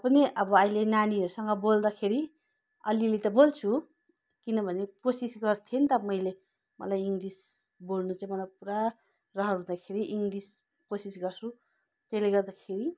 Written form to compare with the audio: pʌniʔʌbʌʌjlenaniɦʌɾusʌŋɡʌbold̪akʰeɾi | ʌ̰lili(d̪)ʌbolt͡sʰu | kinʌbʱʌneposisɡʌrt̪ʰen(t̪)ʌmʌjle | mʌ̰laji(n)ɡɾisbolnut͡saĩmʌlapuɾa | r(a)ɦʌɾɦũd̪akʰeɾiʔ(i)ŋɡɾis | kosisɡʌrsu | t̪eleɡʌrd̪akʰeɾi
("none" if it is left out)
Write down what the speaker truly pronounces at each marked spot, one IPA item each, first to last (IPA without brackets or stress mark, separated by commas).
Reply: t̪, t̪, ŋ, ʌ, i